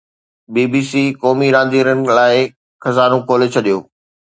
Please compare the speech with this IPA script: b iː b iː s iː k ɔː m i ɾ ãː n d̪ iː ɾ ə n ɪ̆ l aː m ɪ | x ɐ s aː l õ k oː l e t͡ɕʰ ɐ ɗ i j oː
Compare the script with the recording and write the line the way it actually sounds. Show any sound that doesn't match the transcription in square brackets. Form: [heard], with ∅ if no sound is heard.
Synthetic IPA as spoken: b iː b iː s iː k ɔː m i ɾ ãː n d̪ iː ɾ ə n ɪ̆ l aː [∅] ɪ | x ɐ [z] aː [ɾ] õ k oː l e t͡ɕʰ ɐ ɗ i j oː